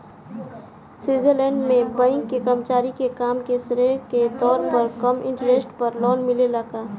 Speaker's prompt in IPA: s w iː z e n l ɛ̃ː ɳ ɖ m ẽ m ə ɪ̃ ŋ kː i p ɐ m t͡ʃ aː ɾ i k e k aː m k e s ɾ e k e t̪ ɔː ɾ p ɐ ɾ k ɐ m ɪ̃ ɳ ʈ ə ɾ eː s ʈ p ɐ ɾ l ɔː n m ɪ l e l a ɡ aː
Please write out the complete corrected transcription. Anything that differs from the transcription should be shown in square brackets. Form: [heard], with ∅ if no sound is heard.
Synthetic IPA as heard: s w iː z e [∅] l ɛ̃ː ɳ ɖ m ẽ [b] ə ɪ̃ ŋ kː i [k] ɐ m t͡ʃ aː ɾ i k e k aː m k e s ɾ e k e t̪ ɔː ɾ p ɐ ɾ k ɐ m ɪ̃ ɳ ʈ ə ɾ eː s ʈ p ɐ ɾ l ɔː n m ɪ l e l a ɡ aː